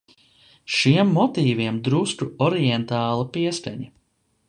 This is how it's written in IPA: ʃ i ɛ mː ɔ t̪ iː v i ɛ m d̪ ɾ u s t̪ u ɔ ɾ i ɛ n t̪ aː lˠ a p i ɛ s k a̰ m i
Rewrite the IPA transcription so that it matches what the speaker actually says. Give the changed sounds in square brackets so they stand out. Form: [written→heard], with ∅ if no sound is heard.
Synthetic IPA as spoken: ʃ i ɛ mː ɔ t̪ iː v i ɛ m d̪ ɾ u s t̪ u ɔ ɾ i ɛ n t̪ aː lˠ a p i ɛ s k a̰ [m→ɲ] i

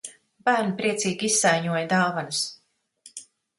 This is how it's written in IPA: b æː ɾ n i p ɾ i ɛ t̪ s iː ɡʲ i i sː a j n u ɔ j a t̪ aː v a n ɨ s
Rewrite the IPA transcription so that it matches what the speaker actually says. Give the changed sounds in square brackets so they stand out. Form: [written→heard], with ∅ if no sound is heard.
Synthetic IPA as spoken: b æː ɾ n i p ɾ i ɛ t̪ s iː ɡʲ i i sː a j [n→ɲ] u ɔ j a [t̪→d̪] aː v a n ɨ s

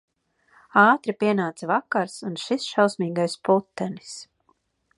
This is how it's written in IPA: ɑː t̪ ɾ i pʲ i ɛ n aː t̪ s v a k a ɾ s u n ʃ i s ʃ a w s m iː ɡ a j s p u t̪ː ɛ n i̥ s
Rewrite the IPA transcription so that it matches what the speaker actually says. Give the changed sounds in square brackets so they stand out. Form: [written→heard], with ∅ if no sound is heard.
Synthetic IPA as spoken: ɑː t̪ ɾ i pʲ i ɛ n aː t̪ s v a k a ɾ s u n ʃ i s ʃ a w s m iː ɡ a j s p u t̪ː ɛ n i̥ s

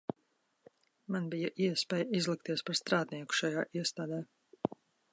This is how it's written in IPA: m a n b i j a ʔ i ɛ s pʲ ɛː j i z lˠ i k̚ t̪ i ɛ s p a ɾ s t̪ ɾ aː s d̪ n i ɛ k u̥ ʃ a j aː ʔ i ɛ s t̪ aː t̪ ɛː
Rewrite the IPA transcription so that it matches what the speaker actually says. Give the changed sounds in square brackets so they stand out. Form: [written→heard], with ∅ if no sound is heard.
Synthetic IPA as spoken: m a n b i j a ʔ i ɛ s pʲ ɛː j i z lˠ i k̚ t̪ i ɛ s p a ɾ s t̪ ɾ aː [s→∅] d̪ n i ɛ k u̥ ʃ a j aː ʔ i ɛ s t̪ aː [t̪→d̪] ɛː

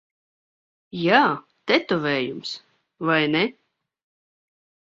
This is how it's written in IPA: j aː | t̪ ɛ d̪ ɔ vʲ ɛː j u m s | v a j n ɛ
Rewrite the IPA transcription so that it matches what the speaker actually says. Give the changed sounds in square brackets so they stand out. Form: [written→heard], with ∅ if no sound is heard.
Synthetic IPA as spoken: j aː | t̪ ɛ [d̪→t̪] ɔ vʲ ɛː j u m s | v a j n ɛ

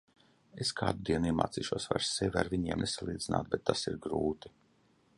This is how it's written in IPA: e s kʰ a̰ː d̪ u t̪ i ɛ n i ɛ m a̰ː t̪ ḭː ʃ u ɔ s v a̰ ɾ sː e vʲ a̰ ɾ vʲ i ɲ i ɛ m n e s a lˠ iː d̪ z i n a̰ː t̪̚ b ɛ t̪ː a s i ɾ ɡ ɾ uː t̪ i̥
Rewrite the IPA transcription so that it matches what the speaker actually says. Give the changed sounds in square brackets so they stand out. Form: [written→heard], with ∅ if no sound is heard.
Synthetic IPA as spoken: e s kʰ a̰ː d̪ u [t̪→d̪] i ɛ n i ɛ m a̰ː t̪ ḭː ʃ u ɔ s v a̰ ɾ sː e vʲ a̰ ɾ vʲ i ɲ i ɛ m n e s a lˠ iː d̪ z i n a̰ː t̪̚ b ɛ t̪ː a s i ɾ ɡ ɾ uː t̪ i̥

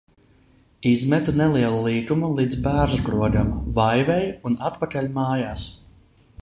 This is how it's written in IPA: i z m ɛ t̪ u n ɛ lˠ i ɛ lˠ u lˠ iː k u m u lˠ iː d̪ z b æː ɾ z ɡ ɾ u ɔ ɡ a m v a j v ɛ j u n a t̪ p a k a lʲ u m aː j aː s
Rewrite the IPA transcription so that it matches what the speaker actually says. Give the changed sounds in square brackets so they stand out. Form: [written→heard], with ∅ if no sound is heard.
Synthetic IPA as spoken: i z m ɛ t̪ u n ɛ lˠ i ɛ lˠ u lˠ iː k u m u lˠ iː d̪ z b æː ɾ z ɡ ɾ u ɔ ɡ a m v a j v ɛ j u n a t̪ p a k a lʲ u m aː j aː s

